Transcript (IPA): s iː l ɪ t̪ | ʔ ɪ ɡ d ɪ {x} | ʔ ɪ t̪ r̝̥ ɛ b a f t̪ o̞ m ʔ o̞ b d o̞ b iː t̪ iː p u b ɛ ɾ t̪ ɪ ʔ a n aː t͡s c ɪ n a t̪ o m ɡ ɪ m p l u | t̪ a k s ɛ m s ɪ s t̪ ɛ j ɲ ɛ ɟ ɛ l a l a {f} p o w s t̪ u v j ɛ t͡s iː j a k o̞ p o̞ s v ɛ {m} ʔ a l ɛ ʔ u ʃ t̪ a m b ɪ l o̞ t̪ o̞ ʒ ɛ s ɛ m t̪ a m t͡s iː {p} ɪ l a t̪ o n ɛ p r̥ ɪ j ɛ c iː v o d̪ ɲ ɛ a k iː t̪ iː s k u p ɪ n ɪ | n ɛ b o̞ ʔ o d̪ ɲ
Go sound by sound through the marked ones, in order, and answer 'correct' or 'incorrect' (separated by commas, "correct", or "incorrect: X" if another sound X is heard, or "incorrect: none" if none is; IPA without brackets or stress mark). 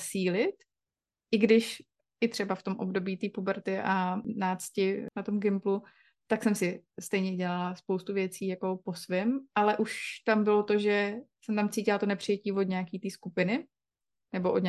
incorrect: ʃ, incorrect: s, correct, incorrect: c